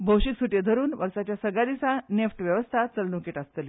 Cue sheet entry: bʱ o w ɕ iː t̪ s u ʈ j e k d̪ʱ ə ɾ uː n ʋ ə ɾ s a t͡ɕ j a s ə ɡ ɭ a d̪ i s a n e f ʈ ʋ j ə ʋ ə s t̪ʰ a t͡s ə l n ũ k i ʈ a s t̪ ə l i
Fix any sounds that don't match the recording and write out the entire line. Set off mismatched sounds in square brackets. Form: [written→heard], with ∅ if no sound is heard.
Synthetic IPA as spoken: bʱ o w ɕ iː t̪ s u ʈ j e [k→∅] d̪ʱ ə ɾ uː n ʋ ə ɾ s a t͡ɕ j a s ə ɡ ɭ a d̪ i s a n e f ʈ ʋ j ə ʋ ə s t̪ʰ a t͡s ə l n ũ k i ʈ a s t̪ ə l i